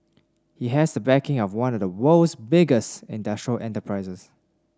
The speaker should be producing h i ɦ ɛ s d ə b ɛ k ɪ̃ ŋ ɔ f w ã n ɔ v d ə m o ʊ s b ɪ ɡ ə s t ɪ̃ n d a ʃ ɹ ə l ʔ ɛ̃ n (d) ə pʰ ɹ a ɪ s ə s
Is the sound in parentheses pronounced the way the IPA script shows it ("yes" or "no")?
no